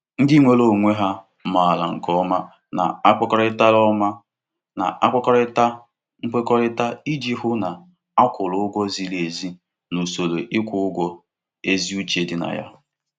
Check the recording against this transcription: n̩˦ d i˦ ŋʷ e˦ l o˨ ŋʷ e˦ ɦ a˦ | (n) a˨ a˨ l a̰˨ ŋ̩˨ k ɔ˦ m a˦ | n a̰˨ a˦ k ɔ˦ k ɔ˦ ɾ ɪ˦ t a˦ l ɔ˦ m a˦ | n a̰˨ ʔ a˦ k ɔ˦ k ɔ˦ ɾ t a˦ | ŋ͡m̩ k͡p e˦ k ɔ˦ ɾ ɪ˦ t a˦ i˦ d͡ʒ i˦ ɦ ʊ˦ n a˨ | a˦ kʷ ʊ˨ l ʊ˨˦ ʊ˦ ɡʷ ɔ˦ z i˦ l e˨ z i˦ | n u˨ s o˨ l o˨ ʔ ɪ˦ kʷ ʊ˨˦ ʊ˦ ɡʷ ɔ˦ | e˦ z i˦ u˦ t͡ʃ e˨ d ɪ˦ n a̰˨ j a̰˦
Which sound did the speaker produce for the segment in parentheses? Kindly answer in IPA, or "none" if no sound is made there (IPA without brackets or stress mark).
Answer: m